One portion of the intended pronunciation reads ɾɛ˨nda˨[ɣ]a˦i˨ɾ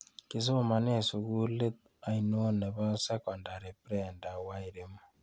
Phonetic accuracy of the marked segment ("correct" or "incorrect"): incorrect